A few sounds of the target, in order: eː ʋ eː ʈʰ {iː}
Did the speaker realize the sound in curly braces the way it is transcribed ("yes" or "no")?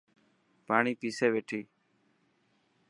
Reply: yes